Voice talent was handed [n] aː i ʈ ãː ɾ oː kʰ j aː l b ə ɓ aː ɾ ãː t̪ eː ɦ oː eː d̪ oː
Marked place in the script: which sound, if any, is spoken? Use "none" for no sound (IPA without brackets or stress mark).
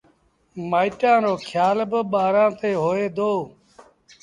m